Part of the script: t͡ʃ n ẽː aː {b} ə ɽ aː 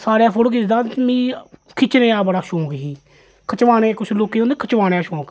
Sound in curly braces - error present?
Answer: no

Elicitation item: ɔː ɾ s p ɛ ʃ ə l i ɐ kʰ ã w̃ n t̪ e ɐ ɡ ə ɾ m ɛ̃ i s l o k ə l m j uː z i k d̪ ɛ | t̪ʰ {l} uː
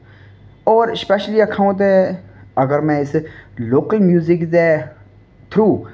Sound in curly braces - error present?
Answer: yes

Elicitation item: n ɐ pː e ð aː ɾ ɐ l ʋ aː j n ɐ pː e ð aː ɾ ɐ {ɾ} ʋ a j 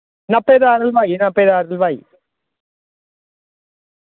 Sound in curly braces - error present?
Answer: yes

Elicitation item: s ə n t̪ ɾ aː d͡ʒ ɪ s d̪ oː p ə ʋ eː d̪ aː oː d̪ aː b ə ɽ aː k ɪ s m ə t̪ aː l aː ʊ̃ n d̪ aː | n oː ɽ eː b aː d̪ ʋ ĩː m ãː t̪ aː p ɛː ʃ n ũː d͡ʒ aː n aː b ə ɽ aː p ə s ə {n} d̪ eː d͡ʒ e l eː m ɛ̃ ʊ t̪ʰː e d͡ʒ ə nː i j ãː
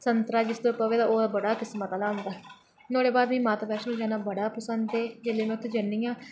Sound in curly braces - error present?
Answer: no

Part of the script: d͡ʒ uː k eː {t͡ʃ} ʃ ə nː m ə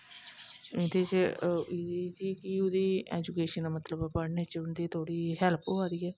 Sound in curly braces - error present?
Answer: yes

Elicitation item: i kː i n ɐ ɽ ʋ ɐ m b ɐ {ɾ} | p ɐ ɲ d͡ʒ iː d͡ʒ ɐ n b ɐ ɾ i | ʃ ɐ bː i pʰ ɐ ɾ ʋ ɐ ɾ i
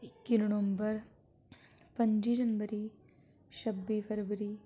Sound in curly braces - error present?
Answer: no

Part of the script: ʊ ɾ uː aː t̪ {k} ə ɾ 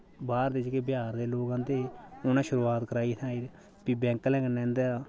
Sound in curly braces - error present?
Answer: no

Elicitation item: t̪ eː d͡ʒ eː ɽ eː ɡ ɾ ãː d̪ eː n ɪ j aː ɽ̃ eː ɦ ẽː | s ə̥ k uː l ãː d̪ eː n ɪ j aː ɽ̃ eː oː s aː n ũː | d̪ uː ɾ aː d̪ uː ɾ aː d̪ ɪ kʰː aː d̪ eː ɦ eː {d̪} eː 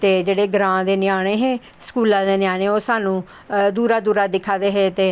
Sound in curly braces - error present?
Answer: yes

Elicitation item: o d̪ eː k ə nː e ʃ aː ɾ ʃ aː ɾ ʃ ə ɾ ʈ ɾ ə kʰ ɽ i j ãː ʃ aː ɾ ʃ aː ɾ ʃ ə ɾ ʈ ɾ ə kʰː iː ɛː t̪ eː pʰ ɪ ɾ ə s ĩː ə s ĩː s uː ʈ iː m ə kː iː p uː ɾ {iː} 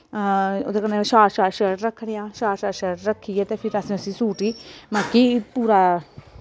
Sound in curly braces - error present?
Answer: yes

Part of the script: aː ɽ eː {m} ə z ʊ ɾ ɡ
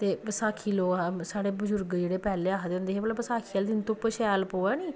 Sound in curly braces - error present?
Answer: yes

